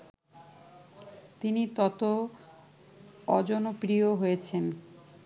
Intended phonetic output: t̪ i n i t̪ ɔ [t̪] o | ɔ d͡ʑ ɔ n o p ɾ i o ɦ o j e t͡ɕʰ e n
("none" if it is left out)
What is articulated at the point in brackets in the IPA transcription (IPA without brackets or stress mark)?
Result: t̪